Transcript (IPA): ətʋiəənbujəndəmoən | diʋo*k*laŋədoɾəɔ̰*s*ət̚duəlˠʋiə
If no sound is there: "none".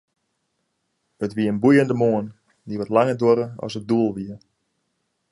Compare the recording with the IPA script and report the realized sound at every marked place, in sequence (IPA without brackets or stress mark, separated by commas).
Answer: t, s